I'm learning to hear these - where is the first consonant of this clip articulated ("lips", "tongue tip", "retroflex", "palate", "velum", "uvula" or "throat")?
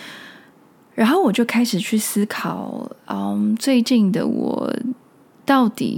retroflex